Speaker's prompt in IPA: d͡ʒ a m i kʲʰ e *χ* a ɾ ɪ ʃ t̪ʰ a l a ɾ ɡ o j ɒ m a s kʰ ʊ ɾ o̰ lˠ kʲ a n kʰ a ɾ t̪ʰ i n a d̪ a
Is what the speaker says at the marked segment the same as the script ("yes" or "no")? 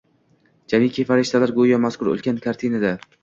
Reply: no